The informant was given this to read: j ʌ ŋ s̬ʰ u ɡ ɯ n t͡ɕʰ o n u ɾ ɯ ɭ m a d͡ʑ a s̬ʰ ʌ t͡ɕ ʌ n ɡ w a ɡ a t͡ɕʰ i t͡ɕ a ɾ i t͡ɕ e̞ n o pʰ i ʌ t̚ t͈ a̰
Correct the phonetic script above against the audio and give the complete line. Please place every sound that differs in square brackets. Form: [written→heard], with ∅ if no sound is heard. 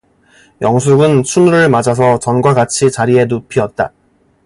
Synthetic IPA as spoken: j ʌ ŋ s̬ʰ u ɡ ɯ n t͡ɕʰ [o→u] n u ɾ ɯ ɭ m a d͡ʑ a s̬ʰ ʌ t͡ɕ ʌ n ɡ w a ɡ a t͡ɕʰ i t͡ɕ a ɾ i [t͡ɕ→∅] e̞ n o pʰ i ʌ t̚ t͈ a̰